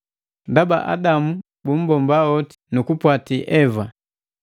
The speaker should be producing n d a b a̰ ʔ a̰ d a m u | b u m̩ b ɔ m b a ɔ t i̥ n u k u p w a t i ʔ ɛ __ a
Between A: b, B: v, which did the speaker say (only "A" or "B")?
B